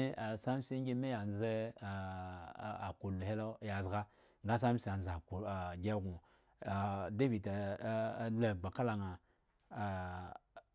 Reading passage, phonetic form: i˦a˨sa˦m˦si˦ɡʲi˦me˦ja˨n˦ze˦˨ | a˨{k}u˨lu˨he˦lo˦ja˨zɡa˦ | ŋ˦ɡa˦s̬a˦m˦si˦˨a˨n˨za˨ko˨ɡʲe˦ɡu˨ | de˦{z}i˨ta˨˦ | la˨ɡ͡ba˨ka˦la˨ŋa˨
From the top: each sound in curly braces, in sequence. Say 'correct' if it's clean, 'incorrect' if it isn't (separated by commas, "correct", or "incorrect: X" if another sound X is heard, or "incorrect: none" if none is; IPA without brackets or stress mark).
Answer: correct, incorrect: v